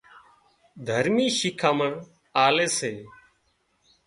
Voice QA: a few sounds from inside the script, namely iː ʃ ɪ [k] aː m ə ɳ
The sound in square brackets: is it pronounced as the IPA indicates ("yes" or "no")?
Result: no